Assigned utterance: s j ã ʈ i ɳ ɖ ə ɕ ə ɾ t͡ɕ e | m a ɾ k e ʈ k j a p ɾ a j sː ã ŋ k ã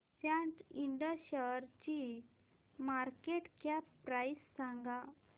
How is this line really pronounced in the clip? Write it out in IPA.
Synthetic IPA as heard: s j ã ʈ i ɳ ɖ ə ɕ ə ɾ t͡ɕ i | m a ɾ k e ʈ k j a p ɾ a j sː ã ŋ ɡ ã